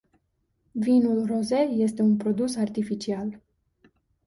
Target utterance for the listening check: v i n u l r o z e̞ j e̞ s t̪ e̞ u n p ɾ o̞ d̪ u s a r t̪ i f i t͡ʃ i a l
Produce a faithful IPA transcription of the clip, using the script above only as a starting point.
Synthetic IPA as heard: v i n u l r o z e̞ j e̞ s t̪ e̞ u n p ɾ o̞ d̪ u s a r t̪ i f i t͡ʃ i a l